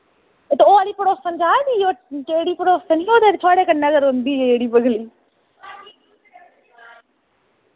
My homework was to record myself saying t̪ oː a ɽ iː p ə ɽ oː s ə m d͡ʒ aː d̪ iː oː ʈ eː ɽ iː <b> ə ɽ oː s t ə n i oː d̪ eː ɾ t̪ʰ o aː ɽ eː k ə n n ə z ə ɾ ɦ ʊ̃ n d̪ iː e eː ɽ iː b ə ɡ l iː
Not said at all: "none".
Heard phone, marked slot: p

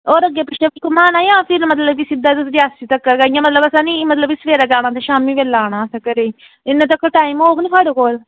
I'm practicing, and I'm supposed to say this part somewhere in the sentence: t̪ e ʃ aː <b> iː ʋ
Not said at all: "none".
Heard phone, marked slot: m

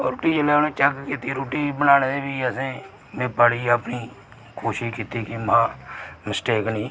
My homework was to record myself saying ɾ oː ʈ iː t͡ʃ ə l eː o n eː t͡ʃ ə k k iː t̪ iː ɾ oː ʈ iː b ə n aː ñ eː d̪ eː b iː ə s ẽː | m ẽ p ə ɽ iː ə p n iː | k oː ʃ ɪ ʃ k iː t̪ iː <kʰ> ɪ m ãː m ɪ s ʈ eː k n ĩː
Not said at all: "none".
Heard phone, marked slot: k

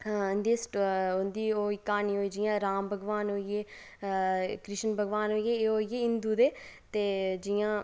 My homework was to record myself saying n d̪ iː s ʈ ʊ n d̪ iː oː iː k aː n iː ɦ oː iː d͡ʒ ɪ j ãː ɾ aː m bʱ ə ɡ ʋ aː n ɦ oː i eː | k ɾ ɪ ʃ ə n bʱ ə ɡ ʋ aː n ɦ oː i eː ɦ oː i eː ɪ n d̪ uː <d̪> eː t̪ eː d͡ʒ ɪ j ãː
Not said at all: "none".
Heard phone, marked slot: d̪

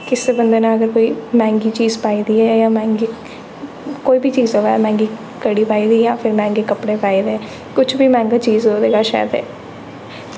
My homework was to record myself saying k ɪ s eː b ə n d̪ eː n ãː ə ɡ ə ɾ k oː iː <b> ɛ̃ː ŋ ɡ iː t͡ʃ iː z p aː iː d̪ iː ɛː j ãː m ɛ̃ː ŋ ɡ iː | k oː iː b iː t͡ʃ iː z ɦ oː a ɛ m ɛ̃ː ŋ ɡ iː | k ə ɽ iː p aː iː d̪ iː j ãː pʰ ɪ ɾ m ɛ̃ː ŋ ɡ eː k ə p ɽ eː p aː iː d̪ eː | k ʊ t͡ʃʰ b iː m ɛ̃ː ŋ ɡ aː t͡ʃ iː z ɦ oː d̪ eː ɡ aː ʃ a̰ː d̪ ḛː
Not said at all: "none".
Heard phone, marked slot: m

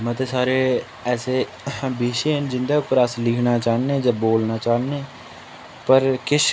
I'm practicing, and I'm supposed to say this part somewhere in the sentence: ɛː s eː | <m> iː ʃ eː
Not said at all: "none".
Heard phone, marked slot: b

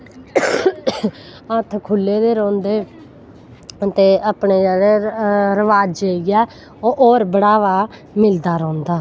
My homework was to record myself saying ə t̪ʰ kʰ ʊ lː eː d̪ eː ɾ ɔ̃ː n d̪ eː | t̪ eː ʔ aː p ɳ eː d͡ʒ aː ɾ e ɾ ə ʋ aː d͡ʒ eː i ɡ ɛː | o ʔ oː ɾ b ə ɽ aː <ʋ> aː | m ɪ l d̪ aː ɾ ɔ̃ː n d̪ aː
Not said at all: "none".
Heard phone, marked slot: ʋ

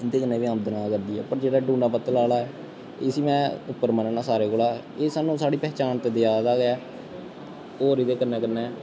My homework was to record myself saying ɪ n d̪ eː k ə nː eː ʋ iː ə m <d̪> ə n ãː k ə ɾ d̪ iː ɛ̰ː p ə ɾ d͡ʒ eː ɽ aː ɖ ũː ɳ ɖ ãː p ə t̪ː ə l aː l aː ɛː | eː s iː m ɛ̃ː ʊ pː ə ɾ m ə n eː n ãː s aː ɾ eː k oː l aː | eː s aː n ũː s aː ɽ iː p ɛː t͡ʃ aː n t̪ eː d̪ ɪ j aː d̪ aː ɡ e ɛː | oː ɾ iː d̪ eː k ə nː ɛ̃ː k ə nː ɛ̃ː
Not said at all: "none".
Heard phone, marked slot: d̪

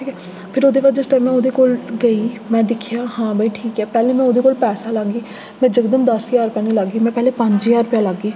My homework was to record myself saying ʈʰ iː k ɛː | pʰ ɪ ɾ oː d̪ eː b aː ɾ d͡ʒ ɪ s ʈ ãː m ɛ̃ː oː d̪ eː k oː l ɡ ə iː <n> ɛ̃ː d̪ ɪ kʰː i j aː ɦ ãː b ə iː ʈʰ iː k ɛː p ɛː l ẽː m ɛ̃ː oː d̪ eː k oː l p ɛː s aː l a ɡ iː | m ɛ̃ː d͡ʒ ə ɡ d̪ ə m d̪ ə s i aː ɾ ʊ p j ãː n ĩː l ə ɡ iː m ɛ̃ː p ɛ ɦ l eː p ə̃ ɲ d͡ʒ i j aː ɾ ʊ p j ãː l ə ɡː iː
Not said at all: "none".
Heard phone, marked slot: m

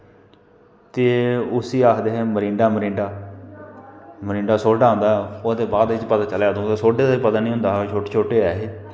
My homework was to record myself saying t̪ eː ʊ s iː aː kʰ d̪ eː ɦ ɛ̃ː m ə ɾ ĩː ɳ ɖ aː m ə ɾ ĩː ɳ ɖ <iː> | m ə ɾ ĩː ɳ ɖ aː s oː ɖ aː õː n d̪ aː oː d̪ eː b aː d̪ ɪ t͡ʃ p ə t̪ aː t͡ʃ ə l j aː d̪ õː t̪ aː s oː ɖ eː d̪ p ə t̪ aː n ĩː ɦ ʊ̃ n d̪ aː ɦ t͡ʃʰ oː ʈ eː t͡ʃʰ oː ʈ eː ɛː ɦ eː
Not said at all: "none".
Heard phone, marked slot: aː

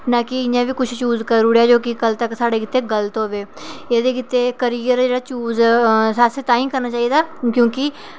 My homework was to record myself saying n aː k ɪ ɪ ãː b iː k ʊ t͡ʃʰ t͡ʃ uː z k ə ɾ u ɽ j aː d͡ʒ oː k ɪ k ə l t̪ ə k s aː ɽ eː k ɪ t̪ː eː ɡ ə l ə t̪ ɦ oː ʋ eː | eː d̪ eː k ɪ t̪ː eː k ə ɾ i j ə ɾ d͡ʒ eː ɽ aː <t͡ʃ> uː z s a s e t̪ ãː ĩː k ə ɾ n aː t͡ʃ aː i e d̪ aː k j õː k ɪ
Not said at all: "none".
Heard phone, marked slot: t͡ʃ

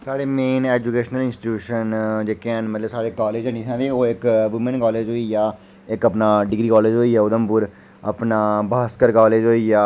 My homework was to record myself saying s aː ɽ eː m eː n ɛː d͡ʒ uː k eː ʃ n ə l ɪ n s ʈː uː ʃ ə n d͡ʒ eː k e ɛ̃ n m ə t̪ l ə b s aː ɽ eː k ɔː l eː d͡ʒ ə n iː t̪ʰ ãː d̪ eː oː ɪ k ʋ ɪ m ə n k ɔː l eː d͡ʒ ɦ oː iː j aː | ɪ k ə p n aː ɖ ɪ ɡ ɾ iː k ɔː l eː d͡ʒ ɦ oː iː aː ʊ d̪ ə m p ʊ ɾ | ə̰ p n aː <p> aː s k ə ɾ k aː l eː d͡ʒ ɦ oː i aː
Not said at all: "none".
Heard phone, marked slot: b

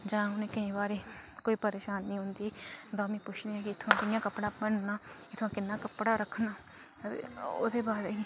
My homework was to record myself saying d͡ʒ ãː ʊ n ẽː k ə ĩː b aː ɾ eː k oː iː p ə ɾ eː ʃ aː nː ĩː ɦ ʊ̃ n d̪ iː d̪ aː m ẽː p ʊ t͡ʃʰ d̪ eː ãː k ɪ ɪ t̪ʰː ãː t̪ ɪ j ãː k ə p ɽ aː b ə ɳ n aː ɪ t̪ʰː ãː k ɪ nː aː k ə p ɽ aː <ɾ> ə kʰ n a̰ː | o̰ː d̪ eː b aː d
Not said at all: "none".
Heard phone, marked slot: ɾ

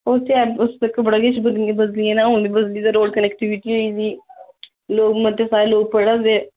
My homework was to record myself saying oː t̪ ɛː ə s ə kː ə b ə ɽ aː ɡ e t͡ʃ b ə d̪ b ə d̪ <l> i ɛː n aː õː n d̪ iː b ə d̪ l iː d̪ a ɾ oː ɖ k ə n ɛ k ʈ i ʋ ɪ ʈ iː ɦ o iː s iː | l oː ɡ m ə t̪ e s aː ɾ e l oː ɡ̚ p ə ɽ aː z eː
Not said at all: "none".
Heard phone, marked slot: l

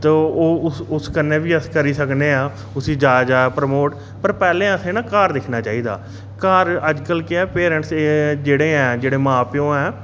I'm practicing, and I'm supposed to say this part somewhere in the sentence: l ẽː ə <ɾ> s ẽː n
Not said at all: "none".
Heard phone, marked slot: none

